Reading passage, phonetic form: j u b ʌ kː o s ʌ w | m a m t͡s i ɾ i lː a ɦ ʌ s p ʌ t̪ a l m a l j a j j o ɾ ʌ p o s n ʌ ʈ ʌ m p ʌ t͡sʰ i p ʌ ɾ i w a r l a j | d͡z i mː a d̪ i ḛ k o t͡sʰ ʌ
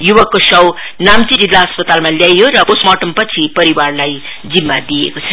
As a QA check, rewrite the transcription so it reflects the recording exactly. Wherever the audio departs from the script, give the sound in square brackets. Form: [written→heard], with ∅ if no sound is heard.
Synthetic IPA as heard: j u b ʌ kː o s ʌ w | [m→n] a m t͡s i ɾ i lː a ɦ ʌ s p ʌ t̪ a l m a l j a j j o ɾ ʌ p o s [n→m] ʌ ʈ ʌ m p ʌ t͡sʰ i p ʌ ɾ i w a r l a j | d͡z i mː a d̪ i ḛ k o t͡sʰ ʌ